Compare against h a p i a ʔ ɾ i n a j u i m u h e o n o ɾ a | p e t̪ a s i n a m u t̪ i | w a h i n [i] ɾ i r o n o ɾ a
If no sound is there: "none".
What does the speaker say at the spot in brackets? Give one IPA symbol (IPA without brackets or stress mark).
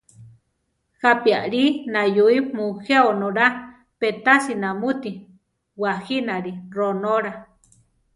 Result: a